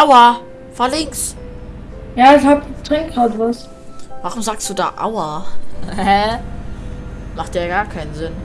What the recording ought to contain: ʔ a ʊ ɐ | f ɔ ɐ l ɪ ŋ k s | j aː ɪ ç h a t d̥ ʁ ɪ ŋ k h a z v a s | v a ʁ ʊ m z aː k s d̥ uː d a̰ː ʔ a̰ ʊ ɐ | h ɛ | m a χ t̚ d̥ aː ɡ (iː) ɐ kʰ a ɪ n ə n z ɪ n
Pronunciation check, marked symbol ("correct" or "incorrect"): incorrect